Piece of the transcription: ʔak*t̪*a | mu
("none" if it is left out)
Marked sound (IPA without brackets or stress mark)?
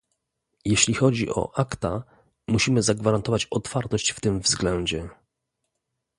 t̪